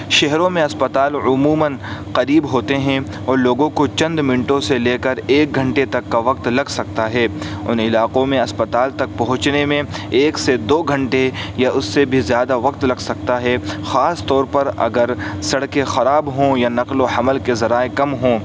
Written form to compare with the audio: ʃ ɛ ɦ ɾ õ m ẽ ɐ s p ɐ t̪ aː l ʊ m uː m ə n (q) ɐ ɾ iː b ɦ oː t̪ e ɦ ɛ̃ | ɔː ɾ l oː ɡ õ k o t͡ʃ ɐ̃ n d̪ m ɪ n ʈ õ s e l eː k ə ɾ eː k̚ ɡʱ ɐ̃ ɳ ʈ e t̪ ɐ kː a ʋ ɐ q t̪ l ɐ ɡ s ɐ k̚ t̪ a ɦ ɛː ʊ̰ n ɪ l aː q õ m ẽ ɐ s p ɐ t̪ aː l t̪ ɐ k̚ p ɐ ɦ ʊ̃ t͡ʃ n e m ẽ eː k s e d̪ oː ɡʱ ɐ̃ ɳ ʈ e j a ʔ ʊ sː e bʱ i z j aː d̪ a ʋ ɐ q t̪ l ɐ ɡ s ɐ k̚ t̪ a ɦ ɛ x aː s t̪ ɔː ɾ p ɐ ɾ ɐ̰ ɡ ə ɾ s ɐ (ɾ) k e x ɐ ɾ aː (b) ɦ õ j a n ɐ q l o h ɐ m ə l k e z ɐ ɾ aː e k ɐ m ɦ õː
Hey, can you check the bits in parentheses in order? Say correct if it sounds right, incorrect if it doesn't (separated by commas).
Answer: correct, incorrect, correct